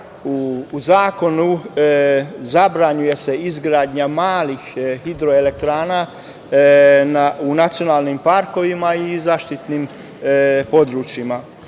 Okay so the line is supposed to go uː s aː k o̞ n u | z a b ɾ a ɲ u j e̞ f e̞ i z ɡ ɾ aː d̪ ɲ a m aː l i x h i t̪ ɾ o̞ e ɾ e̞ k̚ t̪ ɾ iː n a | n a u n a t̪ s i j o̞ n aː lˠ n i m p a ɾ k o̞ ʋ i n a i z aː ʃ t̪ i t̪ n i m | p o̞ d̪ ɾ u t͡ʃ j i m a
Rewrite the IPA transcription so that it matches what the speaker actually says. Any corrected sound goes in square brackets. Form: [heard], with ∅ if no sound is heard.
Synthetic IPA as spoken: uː [z] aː k o̞ n u | z a b ɾ a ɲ u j e̞ [s] e̞ i z ɡ ɾ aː d̪ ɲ a m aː l i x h i [d̪] ɾ o̞ e [l] e̞ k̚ t̪ ɾ [aː] n a | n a u n a t̪ s i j o̞ n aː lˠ n i m p a ɾ k o̞ ʋ i [m] a i z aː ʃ t̪ i t̪ n i m | p o̞ d̪ ɾ u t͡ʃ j i m a